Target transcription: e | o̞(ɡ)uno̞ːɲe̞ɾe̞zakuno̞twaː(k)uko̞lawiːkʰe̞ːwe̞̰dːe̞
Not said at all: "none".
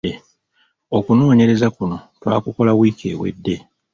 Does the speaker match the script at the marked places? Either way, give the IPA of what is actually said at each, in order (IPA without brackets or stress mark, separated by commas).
k, k